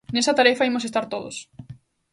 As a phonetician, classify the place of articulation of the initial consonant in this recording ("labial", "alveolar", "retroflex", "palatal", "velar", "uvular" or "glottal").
alveolar